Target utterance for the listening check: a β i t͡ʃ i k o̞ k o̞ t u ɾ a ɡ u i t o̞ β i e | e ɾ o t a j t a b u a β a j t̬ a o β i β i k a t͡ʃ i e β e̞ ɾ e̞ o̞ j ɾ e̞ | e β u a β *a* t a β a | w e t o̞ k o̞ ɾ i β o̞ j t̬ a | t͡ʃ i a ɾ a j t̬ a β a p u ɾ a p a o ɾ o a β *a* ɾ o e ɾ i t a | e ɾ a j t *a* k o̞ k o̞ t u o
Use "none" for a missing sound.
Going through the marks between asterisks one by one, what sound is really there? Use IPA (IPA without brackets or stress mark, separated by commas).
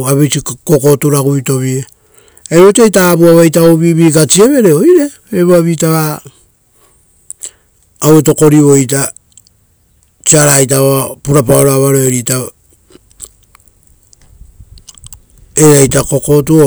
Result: i, a, a